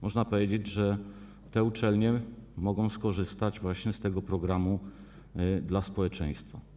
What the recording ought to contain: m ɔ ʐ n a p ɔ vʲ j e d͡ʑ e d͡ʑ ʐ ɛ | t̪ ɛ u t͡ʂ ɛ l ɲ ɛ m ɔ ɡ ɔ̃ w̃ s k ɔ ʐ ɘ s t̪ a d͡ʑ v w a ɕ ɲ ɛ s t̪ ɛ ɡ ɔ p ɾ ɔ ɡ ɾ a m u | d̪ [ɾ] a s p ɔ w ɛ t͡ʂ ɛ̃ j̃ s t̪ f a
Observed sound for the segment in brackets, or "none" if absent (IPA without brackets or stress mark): l